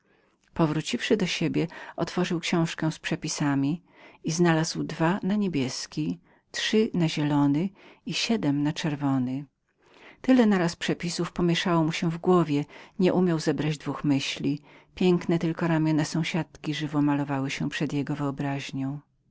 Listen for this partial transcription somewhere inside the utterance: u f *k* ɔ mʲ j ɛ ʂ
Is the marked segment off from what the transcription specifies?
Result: yes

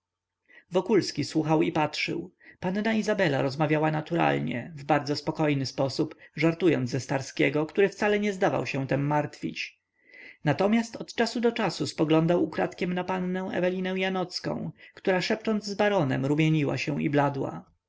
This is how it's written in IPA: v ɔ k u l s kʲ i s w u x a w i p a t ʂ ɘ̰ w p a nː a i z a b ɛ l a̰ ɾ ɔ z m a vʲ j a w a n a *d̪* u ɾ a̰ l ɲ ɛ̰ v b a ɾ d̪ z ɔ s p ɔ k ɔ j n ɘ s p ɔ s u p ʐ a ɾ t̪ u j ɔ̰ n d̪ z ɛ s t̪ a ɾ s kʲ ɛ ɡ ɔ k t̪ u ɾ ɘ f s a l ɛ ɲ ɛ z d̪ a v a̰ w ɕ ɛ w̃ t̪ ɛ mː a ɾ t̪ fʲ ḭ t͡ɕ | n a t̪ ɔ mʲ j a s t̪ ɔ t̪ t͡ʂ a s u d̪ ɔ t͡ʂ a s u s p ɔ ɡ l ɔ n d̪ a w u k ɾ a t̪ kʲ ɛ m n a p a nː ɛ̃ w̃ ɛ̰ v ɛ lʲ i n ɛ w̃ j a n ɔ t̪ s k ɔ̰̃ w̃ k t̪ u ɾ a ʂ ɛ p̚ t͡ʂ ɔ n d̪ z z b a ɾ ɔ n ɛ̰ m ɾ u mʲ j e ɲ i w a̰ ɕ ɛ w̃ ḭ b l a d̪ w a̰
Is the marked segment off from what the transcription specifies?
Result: yes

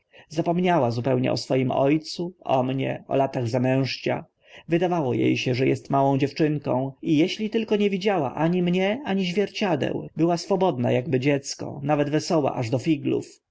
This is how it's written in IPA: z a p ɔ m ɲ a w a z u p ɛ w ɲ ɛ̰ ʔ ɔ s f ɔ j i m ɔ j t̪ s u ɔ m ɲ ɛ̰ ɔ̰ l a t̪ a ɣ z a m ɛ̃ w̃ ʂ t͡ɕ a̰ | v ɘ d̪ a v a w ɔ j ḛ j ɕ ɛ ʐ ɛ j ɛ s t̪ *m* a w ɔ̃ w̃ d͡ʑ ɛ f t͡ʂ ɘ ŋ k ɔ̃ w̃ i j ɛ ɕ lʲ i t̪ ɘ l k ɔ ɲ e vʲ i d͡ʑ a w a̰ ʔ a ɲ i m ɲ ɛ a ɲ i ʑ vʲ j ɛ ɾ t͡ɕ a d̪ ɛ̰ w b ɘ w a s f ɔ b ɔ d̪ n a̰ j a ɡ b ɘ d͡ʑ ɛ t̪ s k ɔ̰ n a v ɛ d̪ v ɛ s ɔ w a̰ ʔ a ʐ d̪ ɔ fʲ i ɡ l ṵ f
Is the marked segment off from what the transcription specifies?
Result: no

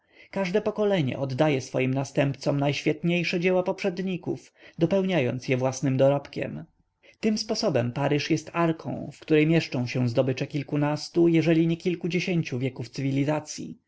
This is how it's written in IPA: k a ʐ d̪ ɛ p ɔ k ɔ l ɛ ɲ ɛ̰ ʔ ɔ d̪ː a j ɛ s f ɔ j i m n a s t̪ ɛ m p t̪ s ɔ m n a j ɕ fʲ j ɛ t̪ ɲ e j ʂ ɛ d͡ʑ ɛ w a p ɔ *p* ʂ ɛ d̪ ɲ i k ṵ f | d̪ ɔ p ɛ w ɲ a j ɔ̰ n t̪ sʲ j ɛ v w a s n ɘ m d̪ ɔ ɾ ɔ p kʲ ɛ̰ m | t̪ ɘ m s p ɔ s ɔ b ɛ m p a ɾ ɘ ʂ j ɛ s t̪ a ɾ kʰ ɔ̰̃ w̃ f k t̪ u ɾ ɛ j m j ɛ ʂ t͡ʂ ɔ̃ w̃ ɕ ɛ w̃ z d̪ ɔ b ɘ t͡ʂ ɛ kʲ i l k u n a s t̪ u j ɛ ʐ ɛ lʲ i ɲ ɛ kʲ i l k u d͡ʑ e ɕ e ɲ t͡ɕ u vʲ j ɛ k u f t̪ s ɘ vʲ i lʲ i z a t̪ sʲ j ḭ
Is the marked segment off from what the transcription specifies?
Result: no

